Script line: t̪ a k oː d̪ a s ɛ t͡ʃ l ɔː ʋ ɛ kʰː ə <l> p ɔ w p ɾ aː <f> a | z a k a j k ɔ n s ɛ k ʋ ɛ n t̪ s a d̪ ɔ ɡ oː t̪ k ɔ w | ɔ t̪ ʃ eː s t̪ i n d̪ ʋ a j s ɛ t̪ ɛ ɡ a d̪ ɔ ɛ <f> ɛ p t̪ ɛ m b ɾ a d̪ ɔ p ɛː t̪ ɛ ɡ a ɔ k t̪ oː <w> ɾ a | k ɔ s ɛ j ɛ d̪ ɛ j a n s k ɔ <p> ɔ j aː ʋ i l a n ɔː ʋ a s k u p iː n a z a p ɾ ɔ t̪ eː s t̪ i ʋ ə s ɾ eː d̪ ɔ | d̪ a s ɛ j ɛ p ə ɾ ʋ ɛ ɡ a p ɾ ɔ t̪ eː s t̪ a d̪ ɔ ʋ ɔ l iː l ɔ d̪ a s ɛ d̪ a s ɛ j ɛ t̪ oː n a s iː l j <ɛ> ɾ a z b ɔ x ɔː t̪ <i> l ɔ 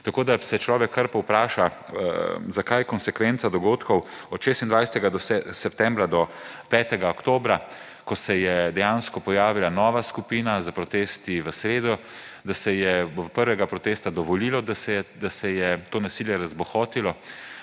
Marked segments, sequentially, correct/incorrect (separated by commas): incorrect, incorrect, incorrect, incorrect, correct, correct, correct